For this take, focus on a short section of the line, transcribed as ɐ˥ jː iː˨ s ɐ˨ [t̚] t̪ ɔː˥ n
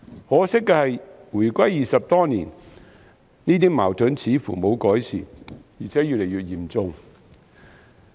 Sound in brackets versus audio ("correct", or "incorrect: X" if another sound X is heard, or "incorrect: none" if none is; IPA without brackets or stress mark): incorrect: p̚